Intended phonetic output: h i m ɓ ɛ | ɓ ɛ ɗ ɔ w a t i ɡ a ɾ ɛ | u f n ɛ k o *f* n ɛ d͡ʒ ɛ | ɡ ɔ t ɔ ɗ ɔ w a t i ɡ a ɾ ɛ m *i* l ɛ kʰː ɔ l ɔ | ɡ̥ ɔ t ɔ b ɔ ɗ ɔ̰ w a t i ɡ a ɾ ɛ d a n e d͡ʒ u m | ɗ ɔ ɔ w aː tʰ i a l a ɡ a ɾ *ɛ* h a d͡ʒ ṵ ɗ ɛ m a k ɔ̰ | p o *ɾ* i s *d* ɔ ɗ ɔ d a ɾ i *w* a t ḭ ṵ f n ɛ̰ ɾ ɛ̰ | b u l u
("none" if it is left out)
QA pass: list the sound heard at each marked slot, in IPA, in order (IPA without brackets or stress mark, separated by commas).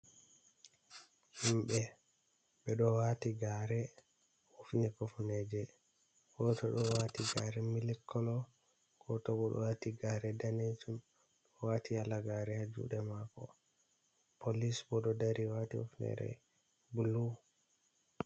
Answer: f, i, ɛ, l, b, w